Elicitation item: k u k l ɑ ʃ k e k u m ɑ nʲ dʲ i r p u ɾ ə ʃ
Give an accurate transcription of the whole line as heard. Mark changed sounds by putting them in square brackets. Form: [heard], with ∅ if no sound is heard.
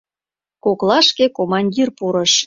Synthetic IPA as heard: k [o] k l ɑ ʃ k e k [o] m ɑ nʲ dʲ i r p u ɾ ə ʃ